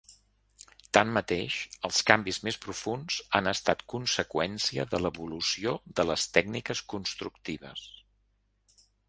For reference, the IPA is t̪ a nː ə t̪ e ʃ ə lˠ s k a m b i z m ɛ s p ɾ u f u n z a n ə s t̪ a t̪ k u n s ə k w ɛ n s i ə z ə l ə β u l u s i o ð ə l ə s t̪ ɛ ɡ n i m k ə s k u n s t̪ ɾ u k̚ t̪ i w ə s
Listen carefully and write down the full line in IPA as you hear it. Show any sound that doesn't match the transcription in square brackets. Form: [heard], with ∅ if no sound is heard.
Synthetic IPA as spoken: t̪ a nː ə t̪ e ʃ ə lˠ s k a m b i z m [e] s p ɾ u f u n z a n ə s t̪ a t̪ k u n s ə k w ɛ n s i ə [ð] ə l ə β u l u s i o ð ə l ə s t̪ ɛ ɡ n i [∅] k ə s k u n s t̪ ɾ u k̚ t̪ i [β] ə s